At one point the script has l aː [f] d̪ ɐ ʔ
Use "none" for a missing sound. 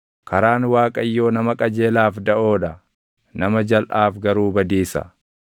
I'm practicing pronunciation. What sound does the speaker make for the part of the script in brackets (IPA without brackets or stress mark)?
f